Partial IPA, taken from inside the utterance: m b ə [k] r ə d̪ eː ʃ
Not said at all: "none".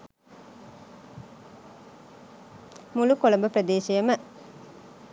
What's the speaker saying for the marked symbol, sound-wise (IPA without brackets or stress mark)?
p